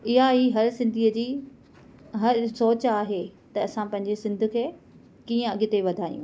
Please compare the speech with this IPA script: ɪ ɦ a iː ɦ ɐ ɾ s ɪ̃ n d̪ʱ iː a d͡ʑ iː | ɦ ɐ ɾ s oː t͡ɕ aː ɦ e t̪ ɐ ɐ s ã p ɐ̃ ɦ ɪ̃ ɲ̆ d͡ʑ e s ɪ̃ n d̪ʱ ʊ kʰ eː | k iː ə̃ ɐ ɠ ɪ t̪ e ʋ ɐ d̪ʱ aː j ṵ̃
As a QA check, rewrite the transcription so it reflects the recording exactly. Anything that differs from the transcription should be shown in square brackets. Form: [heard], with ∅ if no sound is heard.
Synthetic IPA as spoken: ɪ ɦ a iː ɦ ɐ ɾ s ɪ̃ n d̪ʱ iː [ə] d͡ʑ iː | ɦ ɐ ɾ s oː t͡ɕ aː ɦ e t̪ ɐ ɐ s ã p ɐ̃ ɦ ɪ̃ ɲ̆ d͡ʑ e s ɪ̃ n d̪ʱ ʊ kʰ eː | k iː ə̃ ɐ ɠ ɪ t̪ e ʋ ɐ d̪ʱ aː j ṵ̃